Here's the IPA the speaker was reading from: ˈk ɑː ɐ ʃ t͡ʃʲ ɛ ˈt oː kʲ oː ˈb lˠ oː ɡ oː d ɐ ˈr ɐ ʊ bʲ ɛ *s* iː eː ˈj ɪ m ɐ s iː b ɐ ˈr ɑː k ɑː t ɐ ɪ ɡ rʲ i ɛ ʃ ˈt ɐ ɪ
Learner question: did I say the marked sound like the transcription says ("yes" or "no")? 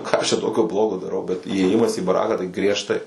no